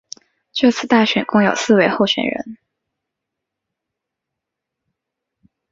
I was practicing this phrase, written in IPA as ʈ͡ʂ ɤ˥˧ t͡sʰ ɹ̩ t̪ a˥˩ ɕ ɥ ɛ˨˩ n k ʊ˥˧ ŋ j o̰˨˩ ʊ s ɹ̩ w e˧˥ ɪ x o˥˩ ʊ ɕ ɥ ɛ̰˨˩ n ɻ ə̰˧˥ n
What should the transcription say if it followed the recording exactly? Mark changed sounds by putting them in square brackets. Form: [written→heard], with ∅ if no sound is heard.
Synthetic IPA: ʈ͡ʂ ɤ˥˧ t͡sʰ ɹ̩ t̪ a˥˩ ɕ ɥ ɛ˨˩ n k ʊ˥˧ ŋ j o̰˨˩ ʊ s ɹ̩ w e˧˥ ɪ x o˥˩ ʊ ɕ ɥ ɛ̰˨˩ n ɻ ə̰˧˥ n